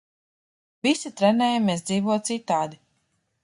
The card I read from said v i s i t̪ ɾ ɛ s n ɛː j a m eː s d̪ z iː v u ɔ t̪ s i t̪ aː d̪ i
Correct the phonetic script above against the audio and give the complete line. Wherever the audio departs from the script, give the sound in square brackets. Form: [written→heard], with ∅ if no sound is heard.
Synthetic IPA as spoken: v i s i t̪ ɾ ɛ [s→∅] n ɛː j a m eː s d̪ z iː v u ɔ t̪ s i t̪ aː d̪ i